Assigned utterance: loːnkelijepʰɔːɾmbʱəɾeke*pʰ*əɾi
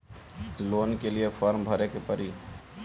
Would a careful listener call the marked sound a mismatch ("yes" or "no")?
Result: yes